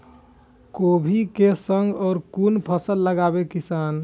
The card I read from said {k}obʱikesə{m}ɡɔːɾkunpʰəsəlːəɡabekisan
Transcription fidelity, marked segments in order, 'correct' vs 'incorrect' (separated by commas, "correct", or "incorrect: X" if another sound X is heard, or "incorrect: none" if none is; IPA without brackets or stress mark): correct, incorrect: ŋ